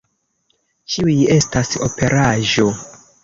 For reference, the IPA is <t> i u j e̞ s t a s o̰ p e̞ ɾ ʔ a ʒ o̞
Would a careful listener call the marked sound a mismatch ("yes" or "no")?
yes